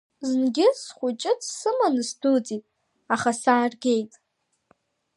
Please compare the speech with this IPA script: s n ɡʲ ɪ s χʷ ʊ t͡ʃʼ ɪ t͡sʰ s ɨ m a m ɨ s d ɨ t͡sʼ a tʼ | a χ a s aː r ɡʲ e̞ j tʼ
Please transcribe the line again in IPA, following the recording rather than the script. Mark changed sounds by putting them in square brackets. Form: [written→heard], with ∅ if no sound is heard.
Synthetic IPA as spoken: [s→z] n ɡʲ ɪ s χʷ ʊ t͡ʃʼ ɪ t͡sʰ s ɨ m a [m→n] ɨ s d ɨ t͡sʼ [a→i] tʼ | a χ a s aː r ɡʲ e̞ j tʼ